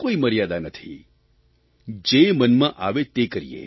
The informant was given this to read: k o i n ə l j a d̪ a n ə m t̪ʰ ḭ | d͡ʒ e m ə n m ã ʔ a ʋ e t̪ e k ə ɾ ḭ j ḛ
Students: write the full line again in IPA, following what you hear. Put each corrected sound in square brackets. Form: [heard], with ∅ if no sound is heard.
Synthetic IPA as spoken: k o i [m] ə [ɾ] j a d̪ a n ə [∅] t̪ʰ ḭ | d͡ʒ e m ə n m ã ʔ a ʋ e t̪ e k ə ɾ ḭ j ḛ